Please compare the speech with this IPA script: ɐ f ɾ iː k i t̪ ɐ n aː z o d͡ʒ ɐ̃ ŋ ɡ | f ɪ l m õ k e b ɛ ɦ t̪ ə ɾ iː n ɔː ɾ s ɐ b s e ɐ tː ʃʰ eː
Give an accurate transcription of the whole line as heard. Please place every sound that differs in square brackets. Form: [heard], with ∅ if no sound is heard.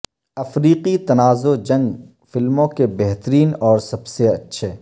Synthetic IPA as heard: ɐ f ɾ iː [q] i t̪ ɐ n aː z o d͡ʒ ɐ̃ ŋ ɡ | f ɪ l m õ k e b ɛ ɦ t̪ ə ɾ iː n ɔː ɾ s ɐ b s e ɐ tː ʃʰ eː